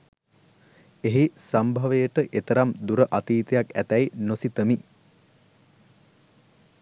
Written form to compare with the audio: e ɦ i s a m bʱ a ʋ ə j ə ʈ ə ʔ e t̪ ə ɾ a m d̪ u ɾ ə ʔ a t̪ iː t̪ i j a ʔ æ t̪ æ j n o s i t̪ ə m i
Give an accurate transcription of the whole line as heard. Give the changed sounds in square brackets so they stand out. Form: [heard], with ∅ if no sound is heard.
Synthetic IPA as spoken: e ɦ i s a m bʱ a ʋ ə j ə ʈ ə ʔ e t̪ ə ɾ a m d̪ u ɾ ə ʔ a t̪ iː t̪ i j a [k] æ t̪ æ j n o s i t̪ ə m i